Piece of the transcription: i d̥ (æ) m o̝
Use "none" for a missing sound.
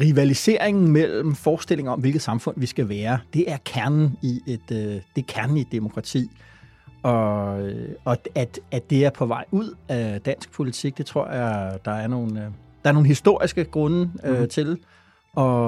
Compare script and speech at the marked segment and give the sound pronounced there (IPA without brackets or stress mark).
e